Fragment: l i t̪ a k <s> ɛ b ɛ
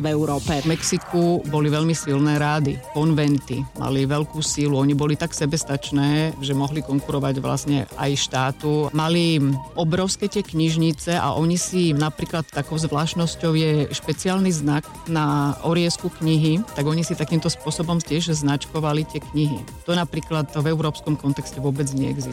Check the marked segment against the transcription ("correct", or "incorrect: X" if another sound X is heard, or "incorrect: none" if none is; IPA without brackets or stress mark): correct